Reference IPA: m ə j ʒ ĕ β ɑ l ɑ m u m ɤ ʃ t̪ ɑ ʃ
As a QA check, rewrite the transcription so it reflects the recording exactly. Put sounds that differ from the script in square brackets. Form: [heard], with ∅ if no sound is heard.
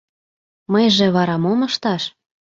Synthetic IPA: m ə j ʒ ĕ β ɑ [ɾ] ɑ m [o] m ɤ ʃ t̪ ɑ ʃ